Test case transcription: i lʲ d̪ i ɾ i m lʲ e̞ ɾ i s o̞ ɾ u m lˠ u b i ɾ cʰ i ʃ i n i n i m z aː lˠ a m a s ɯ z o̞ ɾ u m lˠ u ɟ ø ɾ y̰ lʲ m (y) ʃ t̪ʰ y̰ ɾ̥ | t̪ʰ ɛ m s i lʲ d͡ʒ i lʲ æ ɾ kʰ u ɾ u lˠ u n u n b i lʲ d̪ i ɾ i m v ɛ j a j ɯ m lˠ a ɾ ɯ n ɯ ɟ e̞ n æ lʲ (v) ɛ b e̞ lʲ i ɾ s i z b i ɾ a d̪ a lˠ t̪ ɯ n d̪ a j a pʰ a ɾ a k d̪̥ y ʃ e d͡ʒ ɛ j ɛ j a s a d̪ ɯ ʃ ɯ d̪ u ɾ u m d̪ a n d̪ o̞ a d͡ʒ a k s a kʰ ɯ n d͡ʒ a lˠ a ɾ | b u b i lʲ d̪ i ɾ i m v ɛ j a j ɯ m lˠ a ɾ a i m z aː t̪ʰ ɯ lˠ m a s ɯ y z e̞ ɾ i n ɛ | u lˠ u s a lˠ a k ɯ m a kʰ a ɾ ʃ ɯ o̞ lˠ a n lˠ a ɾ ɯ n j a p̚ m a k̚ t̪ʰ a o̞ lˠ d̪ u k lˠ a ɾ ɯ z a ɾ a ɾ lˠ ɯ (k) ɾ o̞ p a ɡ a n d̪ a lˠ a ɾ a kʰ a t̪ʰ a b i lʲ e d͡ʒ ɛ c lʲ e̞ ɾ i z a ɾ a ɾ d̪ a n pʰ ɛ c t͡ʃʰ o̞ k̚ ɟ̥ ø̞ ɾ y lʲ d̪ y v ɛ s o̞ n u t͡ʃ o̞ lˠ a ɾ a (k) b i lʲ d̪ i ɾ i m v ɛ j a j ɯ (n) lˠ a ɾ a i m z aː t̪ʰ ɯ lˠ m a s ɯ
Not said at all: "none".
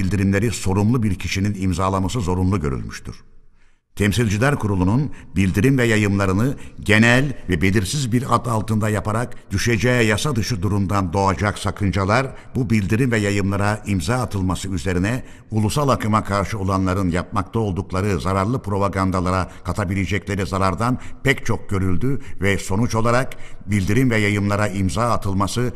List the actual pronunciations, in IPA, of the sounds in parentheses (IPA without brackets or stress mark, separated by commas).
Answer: y, v, p, k, m